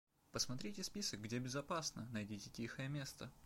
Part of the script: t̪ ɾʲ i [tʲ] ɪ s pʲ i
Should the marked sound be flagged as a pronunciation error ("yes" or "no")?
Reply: no